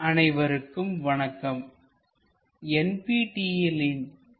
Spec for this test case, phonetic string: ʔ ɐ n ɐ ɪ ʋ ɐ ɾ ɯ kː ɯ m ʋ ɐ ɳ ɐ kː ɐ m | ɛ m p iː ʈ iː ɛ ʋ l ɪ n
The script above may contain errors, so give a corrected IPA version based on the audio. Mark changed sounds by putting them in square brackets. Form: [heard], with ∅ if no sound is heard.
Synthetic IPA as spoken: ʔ ɐ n ɐ ɪ ʋ ɐ ɾ ɯ kː ɯ m ʋ ɐ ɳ ɐ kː ɐ m | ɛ [n] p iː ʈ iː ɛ [∅] l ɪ n